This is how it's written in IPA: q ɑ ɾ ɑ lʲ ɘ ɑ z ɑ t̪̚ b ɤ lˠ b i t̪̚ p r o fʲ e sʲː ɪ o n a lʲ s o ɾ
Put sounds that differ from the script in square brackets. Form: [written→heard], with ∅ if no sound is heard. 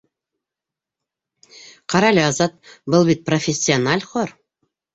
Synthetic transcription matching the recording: q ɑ ɾ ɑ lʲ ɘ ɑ z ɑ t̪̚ b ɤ lˠ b i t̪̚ p r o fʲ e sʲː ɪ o n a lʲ [s→χ] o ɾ